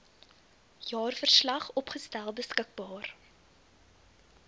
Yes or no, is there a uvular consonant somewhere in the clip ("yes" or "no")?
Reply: yes